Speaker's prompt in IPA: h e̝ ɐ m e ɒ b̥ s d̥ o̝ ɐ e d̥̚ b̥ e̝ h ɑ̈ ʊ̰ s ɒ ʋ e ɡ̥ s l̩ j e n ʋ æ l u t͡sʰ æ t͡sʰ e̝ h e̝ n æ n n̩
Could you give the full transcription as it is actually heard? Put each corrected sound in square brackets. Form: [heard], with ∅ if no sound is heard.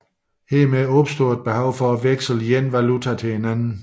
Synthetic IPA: h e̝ ɐ m e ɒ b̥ s d̥ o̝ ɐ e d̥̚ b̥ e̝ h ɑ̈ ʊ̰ [f] ɒ ʋ e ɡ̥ s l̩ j e n ʋ æ l u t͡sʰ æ t͡sʰ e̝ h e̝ n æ n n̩